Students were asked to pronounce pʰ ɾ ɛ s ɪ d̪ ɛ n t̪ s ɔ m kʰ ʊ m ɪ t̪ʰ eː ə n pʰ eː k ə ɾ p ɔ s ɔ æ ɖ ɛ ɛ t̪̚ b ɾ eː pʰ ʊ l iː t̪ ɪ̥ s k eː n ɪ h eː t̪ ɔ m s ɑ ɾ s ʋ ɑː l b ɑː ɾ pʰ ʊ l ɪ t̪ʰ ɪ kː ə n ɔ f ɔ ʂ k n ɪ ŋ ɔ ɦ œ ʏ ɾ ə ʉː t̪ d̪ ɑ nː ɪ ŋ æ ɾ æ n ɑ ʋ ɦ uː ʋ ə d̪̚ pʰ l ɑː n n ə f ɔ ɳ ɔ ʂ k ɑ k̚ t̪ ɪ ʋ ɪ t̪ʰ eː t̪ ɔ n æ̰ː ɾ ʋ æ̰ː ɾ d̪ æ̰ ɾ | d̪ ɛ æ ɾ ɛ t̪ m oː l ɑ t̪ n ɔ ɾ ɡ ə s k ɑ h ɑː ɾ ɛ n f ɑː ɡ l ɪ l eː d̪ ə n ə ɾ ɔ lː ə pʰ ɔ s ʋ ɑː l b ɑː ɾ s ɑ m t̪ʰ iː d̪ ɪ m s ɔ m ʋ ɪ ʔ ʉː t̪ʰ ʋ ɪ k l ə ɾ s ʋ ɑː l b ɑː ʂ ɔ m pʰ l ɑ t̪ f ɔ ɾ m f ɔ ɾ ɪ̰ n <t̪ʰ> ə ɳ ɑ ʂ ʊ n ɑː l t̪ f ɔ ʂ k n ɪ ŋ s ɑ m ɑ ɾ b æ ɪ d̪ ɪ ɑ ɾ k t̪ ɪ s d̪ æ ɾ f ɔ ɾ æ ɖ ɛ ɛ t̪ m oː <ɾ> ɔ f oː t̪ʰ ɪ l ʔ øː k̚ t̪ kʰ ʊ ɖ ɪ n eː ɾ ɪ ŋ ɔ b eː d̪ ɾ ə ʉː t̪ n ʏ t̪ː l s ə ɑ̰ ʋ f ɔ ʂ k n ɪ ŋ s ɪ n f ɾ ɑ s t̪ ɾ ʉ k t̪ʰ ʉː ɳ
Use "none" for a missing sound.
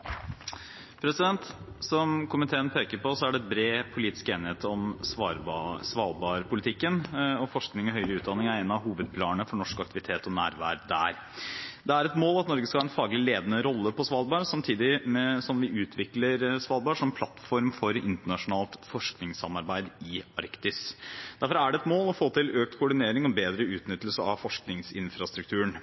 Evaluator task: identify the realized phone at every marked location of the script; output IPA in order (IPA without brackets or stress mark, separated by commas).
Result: t̪, l